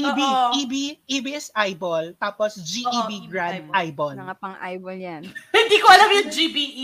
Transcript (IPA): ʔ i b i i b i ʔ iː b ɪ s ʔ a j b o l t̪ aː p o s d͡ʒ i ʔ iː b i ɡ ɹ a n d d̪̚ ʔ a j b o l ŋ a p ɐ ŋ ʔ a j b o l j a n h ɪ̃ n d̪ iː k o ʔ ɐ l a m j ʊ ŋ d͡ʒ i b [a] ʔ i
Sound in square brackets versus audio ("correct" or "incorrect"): incorrect